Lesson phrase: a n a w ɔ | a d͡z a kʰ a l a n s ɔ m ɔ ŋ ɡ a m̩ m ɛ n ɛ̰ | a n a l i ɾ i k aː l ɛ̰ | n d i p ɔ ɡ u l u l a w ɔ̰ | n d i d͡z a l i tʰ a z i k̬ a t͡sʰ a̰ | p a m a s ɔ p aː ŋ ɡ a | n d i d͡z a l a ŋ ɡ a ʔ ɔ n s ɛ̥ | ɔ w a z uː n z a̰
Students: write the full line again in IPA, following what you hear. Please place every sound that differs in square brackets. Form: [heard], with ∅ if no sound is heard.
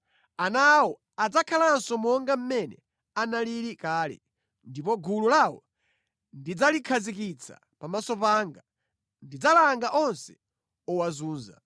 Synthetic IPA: a n a w ɔ | a d͡z a kʰ a l a n s ɔ m ɔ ŋ ɡ a m̩ m ɛ n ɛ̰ | a n a l i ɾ i k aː l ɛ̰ | n d i p ɔ ɡ u l u l a w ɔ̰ | n d i d͡z a l i [kʰ] a z i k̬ [i] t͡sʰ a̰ | p a m a s ɔ p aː ŋ ɡ a | n d i d͡z a l a ŋ ɡ a ʔ ɔ n s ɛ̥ | ɔ w a z uː n z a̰

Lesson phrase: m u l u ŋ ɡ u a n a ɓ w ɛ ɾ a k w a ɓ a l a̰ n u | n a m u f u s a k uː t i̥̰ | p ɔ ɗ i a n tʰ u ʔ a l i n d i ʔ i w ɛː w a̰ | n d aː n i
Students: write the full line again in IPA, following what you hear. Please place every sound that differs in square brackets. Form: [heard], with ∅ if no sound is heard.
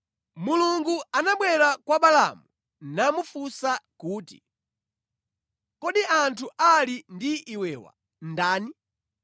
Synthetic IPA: m u l u ŋ ɡ u a n a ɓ w ɛ ɾ a k w a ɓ a l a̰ [m] u | n a m u f u s a k uː t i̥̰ | [k] ɔ ɗ i a n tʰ u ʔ a l i n d i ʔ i w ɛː w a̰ | n d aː n i

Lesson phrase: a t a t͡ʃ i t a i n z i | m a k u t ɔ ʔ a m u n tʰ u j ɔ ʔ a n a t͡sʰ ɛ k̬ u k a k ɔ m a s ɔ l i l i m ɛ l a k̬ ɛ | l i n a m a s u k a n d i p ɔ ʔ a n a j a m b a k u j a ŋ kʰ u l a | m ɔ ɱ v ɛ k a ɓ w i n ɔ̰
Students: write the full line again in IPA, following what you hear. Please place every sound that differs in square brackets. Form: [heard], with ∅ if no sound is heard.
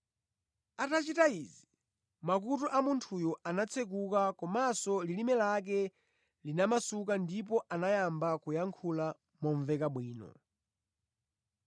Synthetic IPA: a t a t͡ʃ i t a i [∅] z i | m a k u t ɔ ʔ a m u n tʰ u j ɔ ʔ a n a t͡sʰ ɛ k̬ u k a k ɔ m a s ɔ l i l i m ɛ l a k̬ ɛ | l i n a m a s u k a n d i p ɔ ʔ a n a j a m b a k u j a ŋ kʰ u l a | m ɔ ɱ v ɛ k a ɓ w [iː] n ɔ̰

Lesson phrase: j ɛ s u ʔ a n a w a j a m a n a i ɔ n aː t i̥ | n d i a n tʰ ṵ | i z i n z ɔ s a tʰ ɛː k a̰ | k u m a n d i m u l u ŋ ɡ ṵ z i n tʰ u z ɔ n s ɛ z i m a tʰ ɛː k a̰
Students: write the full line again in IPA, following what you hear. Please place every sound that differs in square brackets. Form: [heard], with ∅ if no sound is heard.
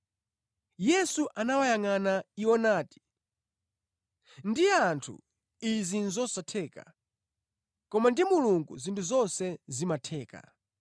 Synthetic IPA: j ɛ s u ʔ a n a w a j a [ŋ] a n a i ɔ n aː t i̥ | n d i a n tʰ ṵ | i z i n z ɔ s a tʰ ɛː k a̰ | k [ɔ] m a n d i m u l u ŋ ɡ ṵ z i n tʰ u z ɔ n s ɛ z i m a tʰ ɛː k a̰

